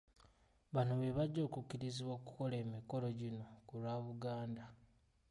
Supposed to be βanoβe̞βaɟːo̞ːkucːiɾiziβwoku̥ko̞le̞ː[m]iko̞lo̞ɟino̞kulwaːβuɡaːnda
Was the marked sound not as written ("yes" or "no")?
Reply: no